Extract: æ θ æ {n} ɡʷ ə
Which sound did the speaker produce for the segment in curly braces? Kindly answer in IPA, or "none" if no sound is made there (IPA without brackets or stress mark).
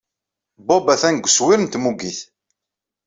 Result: n